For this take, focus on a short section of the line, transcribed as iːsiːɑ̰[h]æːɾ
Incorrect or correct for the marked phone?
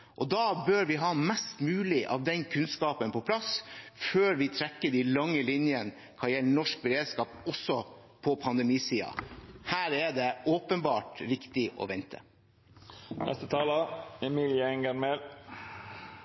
correct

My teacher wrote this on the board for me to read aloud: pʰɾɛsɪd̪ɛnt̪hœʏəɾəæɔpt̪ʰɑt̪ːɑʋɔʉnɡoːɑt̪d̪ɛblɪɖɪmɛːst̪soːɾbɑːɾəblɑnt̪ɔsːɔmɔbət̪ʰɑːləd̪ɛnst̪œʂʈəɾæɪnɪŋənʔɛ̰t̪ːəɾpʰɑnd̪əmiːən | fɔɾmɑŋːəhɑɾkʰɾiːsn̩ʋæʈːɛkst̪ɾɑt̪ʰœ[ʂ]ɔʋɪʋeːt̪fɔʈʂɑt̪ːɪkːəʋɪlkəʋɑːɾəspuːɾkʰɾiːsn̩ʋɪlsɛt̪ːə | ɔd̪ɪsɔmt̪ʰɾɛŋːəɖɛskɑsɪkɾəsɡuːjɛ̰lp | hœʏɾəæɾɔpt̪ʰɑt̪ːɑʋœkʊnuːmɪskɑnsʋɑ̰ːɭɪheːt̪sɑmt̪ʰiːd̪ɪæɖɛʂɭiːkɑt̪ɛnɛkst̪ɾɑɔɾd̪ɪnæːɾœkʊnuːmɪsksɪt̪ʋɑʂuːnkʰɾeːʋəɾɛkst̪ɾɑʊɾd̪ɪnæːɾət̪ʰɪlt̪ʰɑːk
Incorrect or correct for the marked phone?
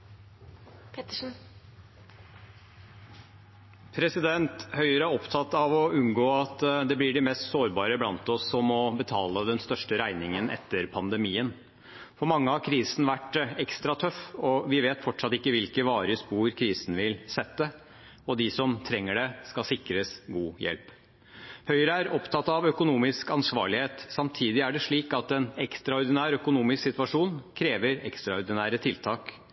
incorrect: f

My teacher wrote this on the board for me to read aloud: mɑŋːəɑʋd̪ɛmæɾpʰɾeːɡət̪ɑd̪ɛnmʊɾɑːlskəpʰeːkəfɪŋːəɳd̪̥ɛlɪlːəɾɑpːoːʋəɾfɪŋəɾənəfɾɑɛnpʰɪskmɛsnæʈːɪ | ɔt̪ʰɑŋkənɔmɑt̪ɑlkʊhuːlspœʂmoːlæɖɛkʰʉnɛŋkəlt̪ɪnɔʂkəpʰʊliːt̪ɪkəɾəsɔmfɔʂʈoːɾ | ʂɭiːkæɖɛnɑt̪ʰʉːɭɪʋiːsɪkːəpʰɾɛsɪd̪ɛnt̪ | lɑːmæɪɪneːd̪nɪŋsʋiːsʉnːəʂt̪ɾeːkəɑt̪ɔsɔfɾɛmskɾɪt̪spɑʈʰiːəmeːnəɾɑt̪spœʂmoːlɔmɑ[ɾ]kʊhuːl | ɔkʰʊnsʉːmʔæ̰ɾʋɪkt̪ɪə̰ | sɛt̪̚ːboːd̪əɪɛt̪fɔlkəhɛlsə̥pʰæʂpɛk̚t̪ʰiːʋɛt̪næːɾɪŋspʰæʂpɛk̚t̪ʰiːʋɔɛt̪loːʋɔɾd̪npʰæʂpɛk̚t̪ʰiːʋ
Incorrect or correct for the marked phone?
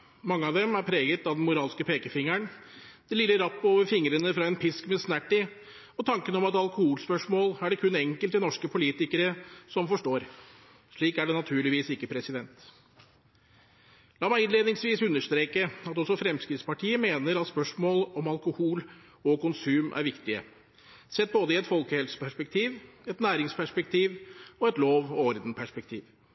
incorrect: l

